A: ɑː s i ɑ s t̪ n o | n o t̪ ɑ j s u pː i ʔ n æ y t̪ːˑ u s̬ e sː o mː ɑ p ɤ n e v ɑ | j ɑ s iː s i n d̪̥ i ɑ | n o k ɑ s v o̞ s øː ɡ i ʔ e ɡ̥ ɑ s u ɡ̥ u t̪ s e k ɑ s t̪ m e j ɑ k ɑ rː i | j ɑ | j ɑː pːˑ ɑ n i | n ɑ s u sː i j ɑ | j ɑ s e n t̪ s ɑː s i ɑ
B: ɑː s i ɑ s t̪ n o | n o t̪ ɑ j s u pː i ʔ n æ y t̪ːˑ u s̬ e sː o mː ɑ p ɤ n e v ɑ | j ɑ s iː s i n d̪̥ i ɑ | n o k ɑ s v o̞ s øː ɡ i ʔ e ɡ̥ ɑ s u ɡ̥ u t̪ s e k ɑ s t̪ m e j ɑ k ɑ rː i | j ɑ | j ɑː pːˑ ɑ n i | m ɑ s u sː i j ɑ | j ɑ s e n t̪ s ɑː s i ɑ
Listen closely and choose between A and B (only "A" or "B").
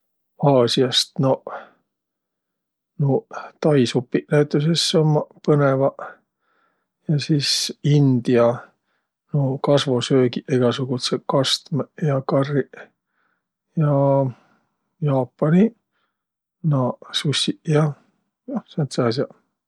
A